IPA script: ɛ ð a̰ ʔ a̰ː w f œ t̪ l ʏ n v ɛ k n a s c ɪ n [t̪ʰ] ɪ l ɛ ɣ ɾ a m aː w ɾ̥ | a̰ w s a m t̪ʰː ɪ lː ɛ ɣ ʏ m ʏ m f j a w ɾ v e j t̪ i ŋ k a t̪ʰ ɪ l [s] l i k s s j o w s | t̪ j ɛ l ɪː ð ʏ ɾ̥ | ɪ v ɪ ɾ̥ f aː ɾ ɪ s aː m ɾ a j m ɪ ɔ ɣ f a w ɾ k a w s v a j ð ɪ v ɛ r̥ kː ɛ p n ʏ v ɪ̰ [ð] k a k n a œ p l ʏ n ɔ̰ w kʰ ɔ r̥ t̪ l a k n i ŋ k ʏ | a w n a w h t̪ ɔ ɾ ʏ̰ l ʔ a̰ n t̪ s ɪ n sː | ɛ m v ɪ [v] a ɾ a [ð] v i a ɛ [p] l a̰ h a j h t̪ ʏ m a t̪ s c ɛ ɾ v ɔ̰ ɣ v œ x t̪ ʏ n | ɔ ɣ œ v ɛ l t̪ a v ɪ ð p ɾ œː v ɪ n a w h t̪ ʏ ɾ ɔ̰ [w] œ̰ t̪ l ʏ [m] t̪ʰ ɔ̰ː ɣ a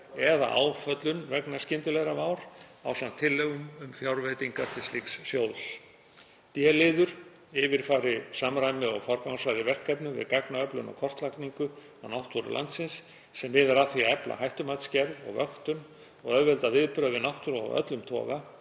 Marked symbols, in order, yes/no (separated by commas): no, yes, yes, no, no, yes, no, yes